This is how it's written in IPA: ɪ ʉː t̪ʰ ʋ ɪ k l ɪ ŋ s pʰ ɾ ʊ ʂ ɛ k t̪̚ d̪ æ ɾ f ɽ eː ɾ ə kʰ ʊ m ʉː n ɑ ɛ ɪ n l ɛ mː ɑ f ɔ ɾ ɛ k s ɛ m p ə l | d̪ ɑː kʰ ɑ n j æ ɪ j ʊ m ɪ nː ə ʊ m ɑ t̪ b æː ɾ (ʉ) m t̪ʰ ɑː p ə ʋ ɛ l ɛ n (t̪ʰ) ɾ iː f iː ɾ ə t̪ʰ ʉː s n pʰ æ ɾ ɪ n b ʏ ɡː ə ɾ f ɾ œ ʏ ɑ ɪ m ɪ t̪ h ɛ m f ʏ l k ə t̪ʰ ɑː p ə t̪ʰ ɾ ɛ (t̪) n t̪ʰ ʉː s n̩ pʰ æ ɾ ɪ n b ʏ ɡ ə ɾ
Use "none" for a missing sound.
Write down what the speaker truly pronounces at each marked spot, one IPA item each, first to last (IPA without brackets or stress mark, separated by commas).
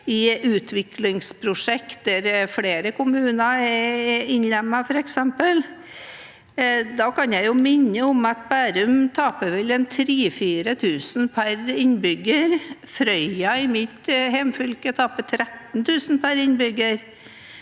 ʉ, t̪ʰ, t̪